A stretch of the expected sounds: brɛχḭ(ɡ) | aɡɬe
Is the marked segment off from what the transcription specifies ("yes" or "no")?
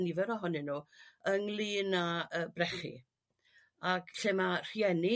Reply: yes